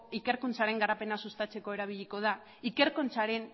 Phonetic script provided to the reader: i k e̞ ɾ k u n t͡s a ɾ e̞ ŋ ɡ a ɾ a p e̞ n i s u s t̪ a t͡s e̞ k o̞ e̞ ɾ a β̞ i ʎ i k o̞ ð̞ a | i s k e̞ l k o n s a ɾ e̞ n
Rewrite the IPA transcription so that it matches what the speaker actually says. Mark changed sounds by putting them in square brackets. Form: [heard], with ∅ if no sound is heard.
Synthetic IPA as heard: i k e̞ ɾ k u n t͡s a ɾ e̞ ŋ ɡ a ɾ a p e̞ n [a] s u s t̪ a t͡s e̞ k o̞ e̞ ɾ a β̞ i ʎ i k o̞ ð̞ a | i [∅] k e̞ [ɾ] k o n [t͡s] a ɾ e̞ n